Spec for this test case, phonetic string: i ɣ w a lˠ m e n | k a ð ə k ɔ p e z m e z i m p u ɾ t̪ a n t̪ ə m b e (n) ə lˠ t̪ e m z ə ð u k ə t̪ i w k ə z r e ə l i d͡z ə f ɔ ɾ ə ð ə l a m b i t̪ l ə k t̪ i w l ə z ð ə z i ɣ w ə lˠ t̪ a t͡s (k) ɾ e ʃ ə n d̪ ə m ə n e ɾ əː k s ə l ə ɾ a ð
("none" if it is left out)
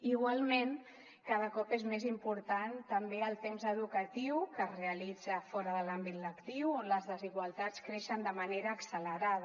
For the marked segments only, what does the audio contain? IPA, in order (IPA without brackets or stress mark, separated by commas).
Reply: none, k